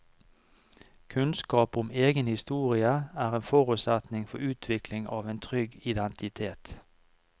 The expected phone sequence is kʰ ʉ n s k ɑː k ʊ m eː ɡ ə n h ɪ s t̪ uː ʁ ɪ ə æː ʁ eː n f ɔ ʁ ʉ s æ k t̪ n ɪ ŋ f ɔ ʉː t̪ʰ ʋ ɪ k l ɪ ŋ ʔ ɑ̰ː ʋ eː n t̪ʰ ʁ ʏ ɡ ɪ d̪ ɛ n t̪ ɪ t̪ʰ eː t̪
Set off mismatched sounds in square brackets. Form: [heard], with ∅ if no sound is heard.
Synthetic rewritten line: kʰ ʉ n s k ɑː [p] ʊ m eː ɡ ə n h ɪ s t̪ uː ʁ ɪ ə æː ʁ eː n f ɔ ʁ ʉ s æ [∅] t̪ n ɪ ŋ f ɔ ʉː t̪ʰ ʋ ɪ k l ɪ ŋ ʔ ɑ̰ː ʋ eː n t̪ʰ ʁ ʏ ɡ ɪ d̪ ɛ n t̪ ɪ t̪ʰ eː t̪